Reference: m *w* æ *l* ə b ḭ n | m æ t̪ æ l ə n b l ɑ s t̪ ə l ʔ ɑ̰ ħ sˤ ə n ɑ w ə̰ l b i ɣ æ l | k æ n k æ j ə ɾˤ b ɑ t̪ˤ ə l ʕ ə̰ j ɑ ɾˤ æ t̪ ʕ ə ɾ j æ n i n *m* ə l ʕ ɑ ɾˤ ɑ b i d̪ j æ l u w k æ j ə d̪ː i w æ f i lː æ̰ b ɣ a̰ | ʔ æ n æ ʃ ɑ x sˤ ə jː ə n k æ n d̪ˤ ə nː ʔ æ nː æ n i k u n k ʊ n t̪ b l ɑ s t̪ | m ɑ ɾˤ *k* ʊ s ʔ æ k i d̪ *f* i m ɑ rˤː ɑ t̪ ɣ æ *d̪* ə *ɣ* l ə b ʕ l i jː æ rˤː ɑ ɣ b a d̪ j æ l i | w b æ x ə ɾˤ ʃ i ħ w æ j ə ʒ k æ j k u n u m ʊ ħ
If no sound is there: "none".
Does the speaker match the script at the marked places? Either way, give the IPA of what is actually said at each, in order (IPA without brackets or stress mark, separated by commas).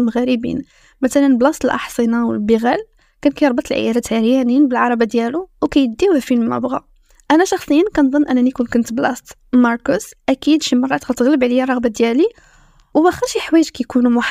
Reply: ɣ, ɾ, b, k, ʃ, t̪, ɣ